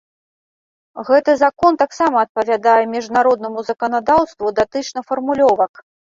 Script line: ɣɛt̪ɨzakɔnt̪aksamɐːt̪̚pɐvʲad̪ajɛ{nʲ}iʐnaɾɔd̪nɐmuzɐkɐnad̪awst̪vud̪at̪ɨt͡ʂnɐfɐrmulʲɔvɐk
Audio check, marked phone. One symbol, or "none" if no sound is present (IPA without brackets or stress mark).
mʲ